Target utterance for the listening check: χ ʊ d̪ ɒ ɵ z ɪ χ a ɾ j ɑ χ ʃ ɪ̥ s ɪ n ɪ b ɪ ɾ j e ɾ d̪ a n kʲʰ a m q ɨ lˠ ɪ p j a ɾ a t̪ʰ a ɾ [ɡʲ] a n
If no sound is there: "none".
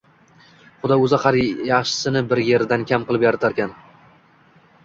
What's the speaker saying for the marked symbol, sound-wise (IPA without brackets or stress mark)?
kʲ